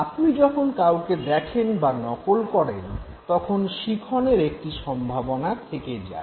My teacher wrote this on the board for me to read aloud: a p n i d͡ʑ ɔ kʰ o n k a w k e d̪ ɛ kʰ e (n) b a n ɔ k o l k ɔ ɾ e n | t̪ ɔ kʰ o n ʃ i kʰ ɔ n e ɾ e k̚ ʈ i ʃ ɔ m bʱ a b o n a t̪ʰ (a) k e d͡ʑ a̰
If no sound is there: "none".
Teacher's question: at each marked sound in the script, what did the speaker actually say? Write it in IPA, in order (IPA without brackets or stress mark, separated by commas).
n, e